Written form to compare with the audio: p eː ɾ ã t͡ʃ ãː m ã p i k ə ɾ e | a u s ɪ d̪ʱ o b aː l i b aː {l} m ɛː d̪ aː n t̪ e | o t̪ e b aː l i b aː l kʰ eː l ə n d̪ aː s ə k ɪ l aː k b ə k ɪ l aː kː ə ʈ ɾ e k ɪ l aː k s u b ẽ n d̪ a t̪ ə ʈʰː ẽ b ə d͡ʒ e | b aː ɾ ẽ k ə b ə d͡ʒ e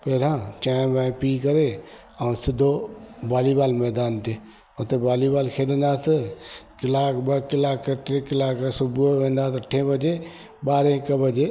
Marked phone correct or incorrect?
correct